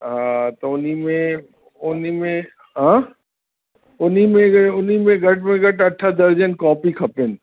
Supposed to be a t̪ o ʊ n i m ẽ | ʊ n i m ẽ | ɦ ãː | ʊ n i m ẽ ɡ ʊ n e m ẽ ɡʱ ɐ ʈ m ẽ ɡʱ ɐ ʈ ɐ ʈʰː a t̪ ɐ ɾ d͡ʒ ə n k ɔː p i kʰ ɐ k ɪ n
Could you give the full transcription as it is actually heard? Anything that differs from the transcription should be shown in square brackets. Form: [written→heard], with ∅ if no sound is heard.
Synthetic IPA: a t̪ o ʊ n i m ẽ | ʊ n i m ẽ | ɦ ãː | ʊ n i m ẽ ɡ ʊ n [e→i] m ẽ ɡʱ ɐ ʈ m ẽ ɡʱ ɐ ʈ ɐ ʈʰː a [t̪→d̪] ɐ ɾ d͡ʒ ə n k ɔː p i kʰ ɐ [k→p] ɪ n